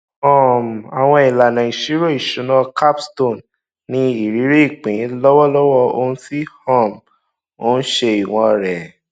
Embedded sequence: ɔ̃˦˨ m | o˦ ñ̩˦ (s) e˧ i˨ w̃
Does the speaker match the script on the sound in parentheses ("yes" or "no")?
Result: no